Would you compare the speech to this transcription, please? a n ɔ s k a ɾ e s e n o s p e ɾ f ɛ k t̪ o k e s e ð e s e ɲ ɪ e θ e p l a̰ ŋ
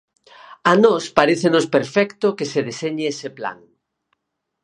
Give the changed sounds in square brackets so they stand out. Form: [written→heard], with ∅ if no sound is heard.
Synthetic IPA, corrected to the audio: a n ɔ s [k→p] a ɾ e [s→θ] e n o s p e ɾ f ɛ k t̪ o k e s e ð e s e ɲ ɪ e [θ→s] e p l a̰ ŋ